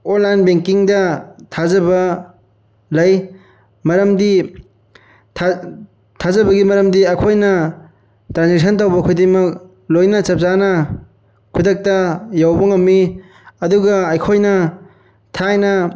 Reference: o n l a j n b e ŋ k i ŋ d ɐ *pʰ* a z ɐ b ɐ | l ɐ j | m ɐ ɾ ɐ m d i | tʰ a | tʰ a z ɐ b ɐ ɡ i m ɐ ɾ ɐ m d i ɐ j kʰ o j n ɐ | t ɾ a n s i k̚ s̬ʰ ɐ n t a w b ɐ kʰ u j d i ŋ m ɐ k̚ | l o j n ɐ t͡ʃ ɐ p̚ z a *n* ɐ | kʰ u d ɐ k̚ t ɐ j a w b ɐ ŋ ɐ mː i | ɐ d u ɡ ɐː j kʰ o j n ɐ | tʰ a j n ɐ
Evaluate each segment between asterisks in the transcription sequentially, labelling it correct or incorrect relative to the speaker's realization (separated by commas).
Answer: incorrect, correct